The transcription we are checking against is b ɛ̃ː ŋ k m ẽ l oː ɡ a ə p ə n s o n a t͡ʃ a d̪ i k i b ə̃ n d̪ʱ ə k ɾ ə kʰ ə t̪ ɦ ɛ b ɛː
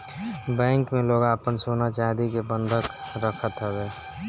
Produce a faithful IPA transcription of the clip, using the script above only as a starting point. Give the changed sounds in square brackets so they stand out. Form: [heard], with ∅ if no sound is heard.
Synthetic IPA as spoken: b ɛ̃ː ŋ k m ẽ l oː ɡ a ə p ə n s o n a t͡ʃ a d̪ i k [e] b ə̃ n d̪ʱ ə k ɾ ə kʰ ə t̪ ɦ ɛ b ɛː

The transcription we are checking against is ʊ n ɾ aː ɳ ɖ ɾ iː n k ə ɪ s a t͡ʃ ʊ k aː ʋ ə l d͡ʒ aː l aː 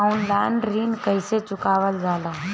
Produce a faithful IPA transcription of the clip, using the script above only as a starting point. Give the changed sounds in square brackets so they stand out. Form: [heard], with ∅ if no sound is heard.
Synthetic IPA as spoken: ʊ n [l] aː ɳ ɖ ɾ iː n k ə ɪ s [e] t͡ʃ ʊ k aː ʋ ə l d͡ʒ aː l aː

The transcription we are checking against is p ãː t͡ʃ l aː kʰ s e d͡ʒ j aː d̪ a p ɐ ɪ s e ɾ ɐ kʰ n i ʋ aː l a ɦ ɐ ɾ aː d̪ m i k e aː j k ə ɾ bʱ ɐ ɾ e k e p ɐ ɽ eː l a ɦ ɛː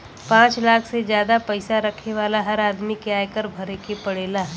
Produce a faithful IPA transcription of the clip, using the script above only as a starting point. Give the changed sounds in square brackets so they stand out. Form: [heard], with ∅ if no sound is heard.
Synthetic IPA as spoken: p ãː t͡ʃ l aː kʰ s e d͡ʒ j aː d̪ a p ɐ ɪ s [a] ɾ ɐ kʰ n [e] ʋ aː l a ɦ ɐ ɾ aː d̪ m i k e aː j k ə ɾ bʱ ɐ ɾ e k e p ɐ ɽ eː l a ɦ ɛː

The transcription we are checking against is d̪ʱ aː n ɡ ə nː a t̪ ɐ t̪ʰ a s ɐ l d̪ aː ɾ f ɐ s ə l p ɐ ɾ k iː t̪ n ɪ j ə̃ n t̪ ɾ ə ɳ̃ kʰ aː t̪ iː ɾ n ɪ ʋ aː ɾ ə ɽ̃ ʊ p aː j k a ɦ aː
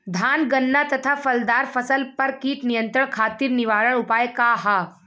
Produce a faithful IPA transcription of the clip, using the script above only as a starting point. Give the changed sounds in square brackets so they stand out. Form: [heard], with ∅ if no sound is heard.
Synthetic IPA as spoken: d̪ʱ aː n ɡ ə nː a t̪ ɐ t̪ʰ a [f] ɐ l d̪ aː ɾ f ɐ s ə l p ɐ ɾ k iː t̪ n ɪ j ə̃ n t̪ ɾ ə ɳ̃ kʰ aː t̪ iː ɾ n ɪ ʋ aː ɾ ə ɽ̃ ʊ p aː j k a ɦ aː

